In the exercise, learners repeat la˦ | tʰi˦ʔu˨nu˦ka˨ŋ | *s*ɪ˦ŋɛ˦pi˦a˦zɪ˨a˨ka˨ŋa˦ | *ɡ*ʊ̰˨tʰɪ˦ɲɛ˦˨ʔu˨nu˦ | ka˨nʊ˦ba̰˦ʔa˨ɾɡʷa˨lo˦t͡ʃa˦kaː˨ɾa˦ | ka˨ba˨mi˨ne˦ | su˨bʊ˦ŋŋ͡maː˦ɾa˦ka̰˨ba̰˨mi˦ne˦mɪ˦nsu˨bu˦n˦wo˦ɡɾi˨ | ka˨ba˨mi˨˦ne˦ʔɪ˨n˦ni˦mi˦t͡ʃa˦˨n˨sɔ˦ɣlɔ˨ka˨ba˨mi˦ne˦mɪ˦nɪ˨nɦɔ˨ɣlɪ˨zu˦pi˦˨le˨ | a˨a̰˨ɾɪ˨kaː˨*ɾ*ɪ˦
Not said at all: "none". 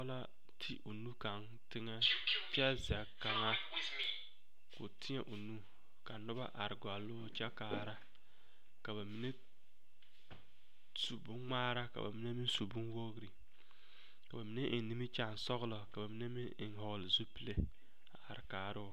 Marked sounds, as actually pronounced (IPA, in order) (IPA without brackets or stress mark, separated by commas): t, k, ɾ